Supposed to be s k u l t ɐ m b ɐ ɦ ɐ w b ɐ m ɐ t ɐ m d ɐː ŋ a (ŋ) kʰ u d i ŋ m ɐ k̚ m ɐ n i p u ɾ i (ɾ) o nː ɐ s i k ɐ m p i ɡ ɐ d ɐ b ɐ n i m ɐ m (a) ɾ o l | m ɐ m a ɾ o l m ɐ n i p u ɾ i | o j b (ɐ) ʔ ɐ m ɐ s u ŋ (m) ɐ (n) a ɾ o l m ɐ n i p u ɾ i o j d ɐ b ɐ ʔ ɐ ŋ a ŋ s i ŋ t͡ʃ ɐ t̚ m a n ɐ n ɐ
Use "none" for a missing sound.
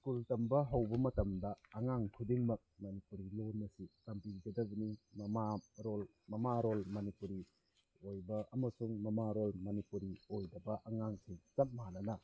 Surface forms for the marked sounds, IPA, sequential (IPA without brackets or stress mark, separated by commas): ŋ, l, a, ɐ, m, m